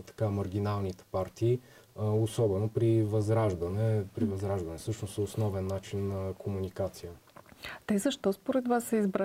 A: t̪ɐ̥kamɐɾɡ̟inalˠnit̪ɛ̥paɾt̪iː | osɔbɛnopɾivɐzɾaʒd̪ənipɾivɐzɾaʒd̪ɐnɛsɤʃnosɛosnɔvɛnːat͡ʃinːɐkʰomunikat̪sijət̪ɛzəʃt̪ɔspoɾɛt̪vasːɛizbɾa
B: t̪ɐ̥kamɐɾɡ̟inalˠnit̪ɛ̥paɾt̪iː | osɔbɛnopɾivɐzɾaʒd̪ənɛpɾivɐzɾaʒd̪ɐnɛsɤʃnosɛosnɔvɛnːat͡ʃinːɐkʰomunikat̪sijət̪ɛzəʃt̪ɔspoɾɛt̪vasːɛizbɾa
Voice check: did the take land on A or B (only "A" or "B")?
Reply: B